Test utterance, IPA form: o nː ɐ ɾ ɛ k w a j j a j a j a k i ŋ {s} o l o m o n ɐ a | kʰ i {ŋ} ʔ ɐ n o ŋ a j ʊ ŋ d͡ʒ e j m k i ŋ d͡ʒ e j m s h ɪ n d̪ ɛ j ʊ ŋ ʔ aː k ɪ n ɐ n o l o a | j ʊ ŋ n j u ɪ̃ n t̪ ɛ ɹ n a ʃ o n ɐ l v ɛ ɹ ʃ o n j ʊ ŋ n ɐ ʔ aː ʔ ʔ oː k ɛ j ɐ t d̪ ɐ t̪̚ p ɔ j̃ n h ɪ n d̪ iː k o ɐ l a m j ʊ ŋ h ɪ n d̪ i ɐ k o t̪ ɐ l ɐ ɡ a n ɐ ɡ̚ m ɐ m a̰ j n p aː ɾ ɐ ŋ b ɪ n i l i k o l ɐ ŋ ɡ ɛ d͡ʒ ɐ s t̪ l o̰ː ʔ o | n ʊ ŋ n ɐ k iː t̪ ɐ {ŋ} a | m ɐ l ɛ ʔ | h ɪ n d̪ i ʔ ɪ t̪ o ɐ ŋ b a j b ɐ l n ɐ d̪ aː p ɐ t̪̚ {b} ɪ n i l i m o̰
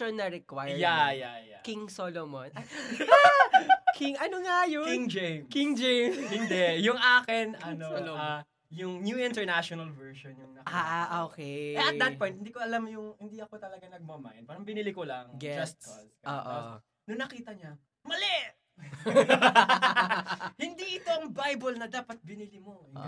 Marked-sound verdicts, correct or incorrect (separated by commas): correct, correct, incorrect, correct